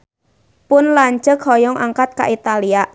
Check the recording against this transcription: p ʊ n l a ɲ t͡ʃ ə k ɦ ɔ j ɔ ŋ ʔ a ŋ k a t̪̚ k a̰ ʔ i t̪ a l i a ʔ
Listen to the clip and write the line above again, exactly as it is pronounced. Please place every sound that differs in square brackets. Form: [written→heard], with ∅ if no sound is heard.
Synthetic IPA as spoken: p ʊ n l a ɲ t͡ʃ ə k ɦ ɔ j ɔ ŋ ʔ a ŋ k a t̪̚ k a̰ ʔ i t̪ a l i a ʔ